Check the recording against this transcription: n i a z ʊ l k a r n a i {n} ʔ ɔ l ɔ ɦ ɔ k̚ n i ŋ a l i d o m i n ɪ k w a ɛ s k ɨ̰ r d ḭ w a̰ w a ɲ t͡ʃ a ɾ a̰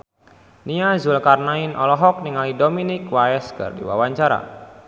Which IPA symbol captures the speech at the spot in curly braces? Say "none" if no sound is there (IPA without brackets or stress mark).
n